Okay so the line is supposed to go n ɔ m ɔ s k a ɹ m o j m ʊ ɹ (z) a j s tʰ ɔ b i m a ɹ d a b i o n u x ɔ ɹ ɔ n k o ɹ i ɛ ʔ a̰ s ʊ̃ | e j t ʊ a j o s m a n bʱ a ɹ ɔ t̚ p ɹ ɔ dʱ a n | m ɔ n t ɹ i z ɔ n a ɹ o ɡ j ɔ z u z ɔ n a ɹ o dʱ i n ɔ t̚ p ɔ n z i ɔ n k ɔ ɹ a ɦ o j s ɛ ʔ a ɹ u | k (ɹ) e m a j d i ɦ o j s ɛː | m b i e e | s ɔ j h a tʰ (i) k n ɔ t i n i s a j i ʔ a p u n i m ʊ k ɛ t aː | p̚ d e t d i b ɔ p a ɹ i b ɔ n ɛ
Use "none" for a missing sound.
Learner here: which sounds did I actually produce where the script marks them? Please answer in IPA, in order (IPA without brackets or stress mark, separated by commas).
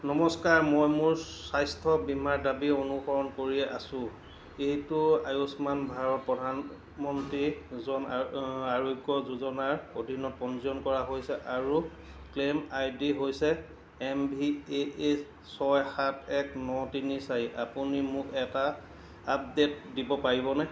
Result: s, l, ɛ